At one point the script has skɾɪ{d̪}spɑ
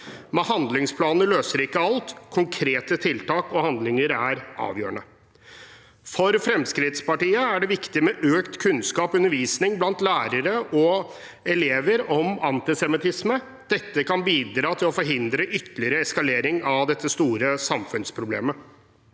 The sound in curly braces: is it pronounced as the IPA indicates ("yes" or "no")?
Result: no